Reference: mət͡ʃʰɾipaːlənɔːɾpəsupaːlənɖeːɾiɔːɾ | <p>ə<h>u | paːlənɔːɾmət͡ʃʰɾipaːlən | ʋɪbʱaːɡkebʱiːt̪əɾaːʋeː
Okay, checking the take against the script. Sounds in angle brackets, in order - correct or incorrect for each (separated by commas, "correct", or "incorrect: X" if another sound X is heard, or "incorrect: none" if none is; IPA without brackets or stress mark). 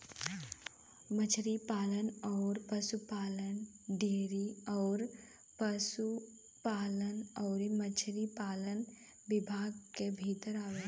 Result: correct, incorrect: s